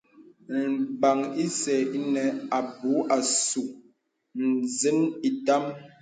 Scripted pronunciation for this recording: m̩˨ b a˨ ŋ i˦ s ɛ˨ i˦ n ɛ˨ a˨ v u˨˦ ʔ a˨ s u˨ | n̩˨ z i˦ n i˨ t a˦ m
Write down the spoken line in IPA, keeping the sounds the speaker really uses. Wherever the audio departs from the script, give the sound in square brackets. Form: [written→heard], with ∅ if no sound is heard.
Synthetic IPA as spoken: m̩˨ b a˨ ŋ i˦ s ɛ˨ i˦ n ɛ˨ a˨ [v→b] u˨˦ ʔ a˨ s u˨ | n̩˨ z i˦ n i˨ t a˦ m

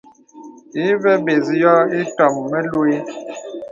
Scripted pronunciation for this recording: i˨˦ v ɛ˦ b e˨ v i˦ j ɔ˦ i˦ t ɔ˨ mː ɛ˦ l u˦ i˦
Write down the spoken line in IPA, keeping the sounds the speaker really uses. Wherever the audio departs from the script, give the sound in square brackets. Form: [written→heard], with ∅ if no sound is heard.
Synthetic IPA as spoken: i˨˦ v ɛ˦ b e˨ [v→z] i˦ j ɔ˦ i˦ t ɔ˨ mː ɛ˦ l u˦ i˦

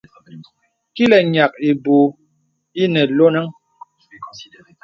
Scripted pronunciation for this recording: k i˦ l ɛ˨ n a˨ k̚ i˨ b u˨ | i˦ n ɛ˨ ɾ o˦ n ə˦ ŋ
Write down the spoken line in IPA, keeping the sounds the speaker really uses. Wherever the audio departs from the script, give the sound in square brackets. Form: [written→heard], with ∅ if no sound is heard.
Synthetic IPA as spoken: k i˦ l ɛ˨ [n→ɲ] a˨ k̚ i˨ b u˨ | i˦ n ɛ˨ [ɾ→l] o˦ n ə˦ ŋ

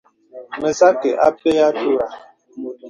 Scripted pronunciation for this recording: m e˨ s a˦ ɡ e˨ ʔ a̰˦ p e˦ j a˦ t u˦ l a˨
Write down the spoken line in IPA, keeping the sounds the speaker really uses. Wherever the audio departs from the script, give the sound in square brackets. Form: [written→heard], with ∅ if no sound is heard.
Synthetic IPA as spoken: m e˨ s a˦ [ɡ→k] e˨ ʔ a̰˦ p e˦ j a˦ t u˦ [l→ɾ] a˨

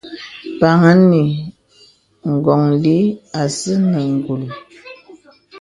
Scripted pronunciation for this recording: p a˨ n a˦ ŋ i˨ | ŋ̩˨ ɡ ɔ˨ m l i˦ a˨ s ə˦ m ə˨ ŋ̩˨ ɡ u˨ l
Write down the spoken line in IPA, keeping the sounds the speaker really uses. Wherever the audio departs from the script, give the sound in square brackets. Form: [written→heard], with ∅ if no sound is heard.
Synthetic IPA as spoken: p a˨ [n→ŋ] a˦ [ŋ→n] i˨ | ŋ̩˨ ɡ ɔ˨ [m→ŋ] l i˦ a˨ s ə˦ [m→n] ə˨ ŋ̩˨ ɡ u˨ l

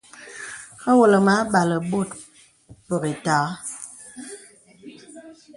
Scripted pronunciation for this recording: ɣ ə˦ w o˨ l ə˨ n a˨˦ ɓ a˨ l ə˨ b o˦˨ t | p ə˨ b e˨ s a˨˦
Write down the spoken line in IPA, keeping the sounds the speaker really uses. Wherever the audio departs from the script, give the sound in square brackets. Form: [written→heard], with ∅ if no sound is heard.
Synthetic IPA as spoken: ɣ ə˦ w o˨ l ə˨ [n→m] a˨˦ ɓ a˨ l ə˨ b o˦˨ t | p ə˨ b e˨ [s→t] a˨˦

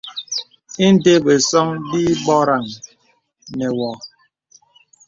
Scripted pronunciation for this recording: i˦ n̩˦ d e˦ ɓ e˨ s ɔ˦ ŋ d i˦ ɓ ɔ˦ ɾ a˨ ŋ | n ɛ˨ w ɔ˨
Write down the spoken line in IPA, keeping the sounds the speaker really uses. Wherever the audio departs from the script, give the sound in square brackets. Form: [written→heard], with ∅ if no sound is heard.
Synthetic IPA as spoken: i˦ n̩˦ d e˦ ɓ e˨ s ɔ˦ ŋ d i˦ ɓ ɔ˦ ɾ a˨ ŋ | n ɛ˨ w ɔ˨

